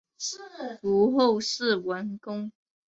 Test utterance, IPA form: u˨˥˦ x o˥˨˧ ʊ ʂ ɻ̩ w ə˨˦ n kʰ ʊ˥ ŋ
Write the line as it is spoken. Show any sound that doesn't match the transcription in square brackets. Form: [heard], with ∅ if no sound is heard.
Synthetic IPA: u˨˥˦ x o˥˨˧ ʊ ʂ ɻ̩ w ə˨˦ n [k] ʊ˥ ŋ